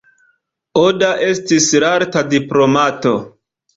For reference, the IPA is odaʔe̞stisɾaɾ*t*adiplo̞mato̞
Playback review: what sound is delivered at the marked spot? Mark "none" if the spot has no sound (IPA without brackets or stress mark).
t